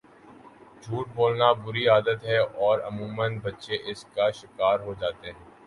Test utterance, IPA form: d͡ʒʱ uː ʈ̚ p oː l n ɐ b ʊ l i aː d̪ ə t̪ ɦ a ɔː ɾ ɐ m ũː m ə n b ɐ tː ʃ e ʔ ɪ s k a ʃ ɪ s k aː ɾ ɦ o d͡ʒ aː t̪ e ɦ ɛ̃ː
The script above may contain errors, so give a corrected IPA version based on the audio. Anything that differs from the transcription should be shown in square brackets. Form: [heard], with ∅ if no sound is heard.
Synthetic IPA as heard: d͡ʒʱ uː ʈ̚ [b] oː l n [a] b ʊ [ɾ] i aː d̪ ə t̪ ɦ [ɛ] ɔː ɾ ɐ m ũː m ə n b ɐ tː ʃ e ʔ ɪ s k a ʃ ɪ [∅] k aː ɾ ɦ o d͡ʒ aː t̪ e ɦ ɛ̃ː